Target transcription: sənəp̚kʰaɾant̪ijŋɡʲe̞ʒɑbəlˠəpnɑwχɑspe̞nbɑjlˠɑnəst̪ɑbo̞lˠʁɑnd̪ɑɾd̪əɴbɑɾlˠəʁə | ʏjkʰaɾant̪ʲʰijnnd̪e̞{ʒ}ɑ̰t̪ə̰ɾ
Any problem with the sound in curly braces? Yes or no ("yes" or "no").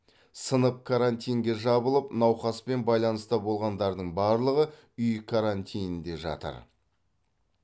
no